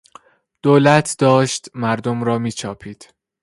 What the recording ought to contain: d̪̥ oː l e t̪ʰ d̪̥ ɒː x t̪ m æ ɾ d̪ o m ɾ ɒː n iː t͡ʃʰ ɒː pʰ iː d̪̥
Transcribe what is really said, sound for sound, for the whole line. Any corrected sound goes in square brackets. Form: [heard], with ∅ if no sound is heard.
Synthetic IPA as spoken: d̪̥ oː l [æ] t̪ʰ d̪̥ ɒː [ʃ] t̪ m æ ɾ d̪ o m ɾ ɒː [m] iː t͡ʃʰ ɒː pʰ iː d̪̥